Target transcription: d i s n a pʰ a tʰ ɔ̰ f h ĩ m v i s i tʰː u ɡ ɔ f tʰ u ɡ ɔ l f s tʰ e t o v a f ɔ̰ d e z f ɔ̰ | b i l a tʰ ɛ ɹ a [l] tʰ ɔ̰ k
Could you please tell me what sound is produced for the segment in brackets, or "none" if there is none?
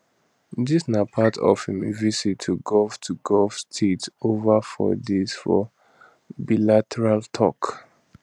l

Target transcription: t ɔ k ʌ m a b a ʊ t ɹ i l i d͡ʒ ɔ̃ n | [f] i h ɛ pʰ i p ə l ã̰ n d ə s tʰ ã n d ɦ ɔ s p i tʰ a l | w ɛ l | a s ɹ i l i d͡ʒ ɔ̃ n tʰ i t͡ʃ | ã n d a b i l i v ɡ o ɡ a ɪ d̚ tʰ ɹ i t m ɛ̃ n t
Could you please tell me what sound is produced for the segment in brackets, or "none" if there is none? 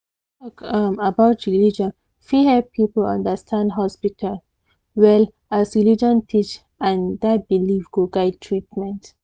f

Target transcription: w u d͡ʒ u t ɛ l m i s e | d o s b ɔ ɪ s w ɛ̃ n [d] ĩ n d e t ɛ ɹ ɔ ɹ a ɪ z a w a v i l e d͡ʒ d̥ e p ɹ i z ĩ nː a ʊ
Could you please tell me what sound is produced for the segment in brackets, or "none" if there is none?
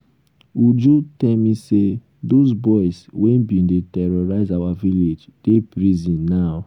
b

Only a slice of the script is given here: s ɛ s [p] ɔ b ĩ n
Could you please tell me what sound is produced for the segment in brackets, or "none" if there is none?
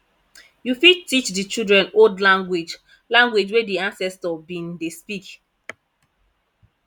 t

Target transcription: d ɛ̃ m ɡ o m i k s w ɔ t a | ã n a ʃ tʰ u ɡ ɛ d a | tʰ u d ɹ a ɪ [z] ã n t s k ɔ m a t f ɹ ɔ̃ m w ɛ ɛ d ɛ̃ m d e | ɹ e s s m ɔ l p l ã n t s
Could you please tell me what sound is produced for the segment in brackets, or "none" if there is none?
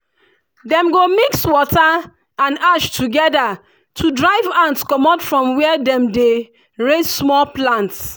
v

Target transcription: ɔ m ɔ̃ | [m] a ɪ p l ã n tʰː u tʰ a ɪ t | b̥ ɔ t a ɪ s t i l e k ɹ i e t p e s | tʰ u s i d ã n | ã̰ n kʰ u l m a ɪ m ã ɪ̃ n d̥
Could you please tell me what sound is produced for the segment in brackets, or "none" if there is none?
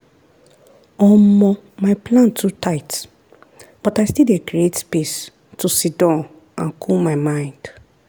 m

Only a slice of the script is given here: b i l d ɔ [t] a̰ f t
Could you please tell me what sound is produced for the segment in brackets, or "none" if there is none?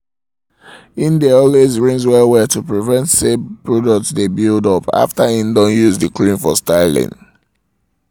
p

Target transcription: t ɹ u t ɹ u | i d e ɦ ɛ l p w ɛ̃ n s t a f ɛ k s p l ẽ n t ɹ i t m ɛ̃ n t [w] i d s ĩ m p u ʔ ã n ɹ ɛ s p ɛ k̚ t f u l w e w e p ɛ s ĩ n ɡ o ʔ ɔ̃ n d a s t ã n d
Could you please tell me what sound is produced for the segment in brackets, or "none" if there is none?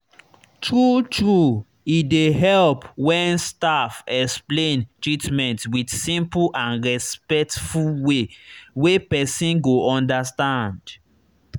w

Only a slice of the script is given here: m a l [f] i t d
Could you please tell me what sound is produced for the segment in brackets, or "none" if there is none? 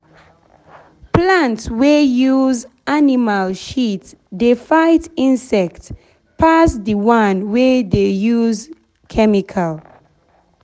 ʃ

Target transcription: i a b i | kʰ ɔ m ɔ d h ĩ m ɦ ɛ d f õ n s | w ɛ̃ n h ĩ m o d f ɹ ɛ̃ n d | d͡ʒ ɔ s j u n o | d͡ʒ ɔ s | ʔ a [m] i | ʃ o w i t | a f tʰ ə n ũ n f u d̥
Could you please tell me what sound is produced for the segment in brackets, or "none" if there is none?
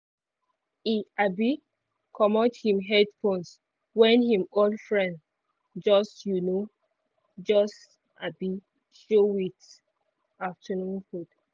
b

